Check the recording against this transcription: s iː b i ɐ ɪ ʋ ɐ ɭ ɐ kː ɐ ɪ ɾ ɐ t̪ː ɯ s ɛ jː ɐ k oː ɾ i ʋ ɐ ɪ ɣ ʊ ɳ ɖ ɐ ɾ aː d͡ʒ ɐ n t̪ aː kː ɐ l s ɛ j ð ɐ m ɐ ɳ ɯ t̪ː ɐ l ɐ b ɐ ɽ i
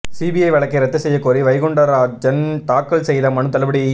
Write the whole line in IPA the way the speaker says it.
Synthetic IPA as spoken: s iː b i ɐ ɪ ʋ ɐ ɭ ɐ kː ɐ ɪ ɾ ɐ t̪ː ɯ s ɛ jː ɐ k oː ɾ i ʋ ɐ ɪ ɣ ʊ ɳ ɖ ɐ ɾ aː d͡ʒ ɐ n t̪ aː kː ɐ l s ɛ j ð ɐ m ɐ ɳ ɯ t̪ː ɐ l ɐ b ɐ ɽ i